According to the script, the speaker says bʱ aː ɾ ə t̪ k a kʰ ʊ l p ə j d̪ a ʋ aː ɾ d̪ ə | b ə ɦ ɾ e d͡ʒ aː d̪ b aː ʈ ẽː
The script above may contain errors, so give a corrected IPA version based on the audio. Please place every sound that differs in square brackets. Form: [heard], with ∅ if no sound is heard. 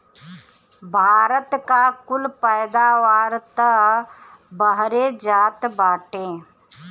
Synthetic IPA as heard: bʱ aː ɾ ə t̪ k a [k] ʊ l p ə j d̪ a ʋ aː ɾ [t̪] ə | b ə ɦ ɾ e d͡ʒ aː [t̪] b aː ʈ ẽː